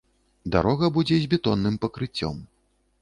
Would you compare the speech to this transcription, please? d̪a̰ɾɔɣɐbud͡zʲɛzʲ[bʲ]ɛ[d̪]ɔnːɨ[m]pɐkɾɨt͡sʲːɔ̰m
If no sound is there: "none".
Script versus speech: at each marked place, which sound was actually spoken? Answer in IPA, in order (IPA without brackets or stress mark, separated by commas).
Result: bʲ, t̪, m